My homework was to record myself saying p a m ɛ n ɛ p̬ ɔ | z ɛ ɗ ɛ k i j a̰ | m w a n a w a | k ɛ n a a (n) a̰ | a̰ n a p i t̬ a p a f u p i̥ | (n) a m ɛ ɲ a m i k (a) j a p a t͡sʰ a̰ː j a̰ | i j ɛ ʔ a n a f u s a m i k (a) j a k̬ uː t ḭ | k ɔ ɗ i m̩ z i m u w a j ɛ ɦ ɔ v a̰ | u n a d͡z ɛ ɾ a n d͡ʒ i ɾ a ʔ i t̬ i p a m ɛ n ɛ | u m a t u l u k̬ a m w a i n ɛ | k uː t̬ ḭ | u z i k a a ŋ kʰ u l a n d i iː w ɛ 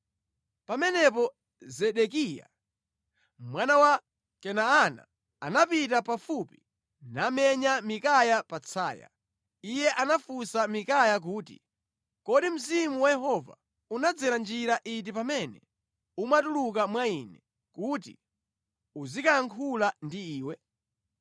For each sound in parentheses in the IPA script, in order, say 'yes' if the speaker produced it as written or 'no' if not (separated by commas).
yes, yes, yes, yes